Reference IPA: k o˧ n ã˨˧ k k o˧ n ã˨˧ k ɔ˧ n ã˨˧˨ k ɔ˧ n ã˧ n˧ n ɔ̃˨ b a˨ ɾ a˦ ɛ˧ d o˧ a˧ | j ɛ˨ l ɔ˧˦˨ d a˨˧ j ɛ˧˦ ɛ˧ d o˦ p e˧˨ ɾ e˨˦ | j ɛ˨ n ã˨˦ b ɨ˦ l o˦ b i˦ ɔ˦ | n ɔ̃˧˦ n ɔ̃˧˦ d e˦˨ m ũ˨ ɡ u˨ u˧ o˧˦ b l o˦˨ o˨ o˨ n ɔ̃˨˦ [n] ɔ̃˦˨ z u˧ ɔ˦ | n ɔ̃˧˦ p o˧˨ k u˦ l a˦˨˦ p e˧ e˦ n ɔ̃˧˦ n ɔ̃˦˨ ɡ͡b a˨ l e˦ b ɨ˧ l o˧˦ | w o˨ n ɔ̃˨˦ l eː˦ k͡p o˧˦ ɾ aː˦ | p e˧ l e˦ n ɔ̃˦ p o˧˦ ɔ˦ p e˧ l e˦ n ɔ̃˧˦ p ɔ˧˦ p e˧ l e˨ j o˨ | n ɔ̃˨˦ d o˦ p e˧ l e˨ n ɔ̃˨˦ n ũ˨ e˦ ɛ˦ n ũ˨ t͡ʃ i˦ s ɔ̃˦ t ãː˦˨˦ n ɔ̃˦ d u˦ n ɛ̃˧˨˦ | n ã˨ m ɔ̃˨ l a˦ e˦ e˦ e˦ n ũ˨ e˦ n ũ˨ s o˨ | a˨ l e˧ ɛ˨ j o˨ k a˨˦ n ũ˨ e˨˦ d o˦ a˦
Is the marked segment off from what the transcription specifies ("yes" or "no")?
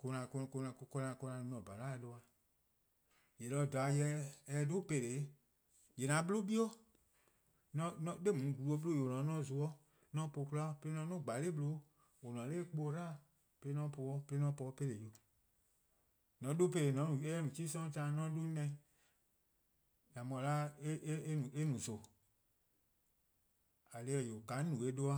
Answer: no